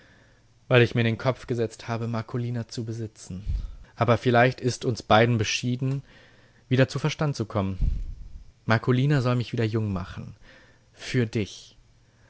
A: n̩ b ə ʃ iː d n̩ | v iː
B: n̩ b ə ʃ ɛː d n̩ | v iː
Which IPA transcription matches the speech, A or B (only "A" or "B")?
A